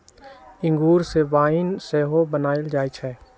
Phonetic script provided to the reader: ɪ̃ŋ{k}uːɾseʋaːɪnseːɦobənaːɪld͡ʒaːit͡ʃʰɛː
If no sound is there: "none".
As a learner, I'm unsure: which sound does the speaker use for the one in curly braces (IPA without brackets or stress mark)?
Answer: ɡ